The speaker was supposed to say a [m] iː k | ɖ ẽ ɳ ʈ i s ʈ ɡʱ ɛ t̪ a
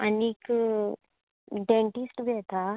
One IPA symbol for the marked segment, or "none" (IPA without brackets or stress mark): n